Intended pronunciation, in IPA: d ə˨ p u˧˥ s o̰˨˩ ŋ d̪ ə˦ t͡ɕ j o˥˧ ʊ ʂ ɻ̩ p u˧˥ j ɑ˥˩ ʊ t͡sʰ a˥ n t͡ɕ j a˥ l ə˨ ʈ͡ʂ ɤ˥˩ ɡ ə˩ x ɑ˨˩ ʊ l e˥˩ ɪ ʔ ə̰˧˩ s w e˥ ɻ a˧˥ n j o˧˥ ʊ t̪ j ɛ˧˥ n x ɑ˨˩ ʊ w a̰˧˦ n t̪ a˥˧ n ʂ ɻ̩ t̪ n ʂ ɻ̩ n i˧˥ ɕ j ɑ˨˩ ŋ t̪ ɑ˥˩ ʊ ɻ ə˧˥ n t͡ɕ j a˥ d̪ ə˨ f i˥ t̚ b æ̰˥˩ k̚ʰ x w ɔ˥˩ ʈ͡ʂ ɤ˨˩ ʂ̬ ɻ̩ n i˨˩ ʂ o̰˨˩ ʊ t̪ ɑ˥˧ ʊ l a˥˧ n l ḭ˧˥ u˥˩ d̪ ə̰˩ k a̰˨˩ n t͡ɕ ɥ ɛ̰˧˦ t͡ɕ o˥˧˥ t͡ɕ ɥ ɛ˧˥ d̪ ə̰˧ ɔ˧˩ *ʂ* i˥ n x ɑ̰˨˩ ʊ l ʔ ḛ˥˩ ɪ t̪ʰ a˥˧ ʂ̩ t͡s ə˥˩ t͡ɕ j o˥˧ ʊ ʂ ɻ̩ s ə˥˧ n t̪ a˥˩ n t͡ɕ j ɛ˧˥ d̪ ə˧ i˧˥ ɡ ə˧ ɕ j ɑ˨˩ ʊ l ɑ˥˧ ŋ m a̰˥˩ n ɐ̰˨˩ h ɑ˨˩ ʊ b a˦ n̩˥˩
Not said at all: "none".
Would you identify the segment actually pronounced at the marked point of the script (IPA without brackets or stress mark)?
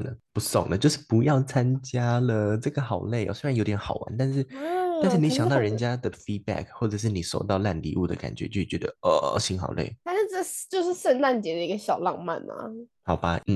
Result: ɕ